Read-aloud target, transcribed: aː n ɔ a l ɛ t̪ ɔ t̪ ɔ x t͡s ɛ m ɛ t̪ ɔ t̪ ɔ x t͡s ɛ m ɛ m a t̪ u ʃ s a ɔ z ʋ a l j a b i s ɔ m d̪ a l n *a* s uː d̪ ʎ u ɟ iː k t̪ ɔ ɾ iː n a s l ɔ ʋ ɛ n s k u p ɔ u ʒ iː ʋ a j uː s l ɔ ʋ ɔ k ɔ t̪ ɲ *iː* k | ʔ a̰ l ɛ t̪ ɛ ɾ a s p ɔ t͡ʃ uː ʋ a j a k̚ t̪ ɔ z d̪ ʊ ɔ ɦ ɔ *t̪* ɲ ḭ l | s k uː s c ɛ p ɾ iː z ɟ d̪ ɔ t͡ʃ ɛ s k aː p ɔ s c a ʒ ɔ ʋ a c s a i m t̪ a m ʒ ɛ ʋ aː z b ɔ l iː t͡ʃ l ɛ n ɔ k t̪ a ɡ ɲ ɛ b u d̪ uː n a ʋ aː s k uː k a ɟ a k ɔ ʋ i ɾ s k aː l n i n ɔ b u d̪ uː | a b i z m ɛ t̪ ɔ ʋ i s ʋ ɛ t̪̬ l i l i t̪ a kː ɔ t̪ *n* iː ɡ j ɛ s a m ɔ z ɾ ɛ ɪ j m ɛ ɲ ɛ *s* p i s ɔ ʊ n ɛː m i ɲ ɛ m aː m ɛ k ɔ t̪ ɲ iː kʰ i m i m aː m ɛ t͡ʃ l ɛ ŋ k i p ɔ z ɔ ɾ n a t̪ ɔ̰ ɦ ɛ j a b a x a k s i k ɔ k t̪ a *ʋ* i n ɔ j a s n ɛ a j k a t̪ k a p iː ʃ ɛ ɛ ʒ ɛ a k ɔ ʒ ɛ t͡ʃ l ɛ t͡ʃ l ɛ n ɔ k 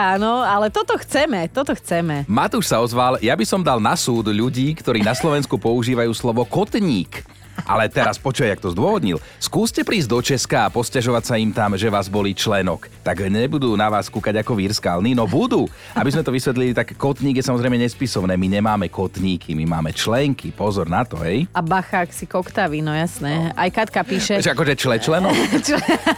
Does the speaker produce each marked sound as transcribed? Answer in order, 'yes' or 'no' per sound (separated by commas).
yes, yes, no, no, yes, yes